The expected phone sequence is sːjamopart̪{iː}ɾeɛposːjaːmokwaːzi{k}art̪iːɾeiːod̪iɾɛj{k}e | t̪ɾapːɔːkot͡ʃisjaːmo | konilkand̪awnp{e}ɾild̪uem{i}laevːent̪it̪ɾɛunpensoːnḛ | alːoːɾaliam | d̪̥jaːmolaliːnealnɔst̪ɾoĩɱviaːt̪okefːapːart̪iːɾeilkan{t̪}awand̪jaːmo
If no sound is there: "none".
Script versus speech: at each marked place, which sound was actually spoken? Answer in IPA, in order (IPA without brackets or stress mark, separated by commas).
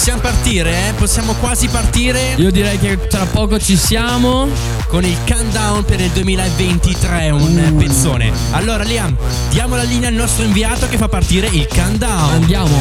iː, p, k, e, iː, d̪